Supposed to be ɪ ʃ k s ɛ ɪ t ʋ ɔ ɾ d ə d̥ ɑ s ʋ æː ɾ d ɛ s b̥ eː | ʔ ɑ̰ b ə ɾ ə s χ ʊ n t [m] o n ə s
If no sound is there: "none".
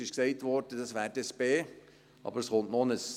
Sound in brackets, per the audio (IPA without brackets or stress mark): n